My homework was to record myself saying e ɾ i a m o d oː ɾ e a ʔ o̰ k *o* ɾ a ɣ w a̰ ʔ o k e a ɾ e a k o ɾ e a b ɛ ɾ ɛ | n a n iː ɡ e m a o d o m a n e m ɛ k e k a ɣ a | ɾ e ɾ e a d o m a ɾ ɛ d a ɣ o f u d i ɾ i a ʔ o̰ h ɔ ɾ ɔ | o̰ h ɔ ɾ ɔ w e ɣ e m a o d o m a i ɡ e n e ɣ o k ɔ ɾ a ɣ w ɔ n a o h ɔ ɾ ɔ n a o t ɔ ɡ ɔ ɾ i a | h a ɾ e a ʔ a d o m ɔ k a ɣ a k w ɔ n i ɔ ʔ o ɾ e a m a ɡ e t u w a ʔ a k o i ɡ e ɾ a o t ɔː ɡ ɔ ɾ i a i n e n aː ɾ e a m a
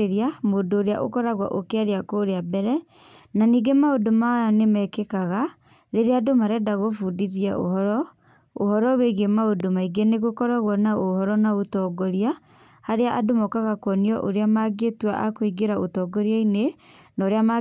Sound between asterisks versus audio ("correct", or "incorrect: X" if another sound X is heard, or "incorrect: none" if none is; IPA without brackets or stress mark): incorrect: ɔ